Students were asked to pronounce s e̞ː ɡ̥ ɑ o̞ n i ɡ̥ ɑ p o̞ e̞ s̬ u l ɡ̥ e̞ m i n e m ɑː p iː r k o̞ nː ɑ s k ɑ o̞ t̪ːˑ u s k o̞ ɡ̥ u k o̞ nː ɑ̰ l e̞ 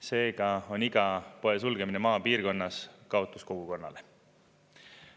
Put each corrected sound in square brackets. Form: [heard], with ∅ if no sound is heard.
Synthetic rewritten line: s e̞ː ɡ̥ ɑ o̞ n i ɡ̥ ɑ p o̞ e̞ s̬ u l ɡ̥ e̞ m i n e m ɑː p iː r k o̞ nː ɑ s k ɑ o̞ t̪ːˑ u s k o̞ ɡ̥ u k o̞ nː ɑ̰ l e̞